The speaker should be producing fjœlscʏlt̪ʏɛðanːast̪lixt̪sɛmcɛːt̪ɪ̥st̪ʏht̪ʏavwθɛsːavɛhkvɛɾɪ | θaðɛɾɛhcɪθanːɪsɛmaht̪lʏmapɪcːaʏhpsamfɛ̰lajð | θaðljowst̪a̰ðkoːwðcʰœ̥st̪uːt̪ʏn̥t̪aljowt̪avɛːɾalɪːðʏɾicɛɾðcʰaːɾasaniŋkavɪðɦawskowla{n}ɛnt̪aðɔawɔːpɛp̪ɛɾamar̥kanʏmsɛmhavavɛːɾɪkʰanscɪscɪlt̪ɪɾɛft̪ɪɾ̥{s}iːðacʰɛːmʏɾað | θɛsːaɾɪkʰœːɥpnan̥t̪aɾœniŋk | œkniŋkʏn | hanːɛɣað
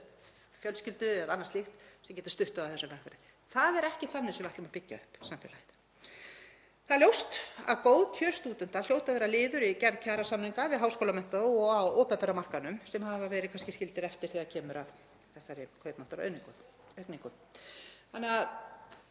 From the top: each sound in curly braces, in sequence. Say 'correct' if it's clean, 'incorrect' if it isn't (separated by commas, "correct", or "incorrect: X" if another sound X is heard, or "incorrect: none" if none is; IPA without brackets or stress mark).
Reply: incorrect: m, incorrect: θ